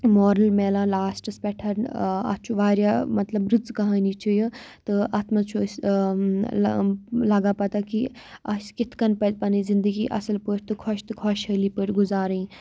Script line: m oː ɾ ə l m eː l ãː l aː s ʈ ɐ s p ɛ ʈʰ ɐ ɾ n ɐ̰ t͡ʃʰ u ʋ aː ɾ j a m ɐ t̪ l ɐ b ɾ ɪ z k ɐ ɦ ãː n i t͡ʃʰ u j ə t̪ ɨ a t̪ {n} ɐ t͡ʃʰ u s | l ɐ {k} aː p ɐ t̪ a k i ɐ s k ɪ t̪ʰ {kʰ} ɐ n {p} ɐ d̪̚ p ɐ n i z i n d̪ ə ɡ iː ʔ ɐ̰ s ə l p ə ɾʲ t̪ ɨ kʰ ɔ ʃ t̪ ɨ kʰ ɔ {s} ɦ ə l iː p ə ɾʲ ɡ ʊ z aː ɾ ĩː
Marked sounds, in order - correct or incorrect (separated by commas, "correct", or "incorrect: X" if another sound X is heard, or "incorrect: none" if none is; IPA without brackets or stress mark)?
incorrect: m, incorrect: ɡ, incorrect: k, correct, incorrect: ʃ